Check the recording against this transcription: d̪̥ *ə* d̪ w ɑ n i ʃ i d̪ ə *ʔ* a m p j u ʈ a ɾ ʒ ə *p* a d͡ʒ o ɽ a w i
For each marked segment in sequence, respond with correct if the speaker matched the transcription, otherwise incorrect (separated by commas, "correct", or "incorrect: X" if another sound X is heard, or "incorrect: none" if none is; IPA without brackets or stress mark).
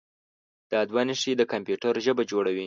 incorrect: ɑ, incorrect: k, incorrect: b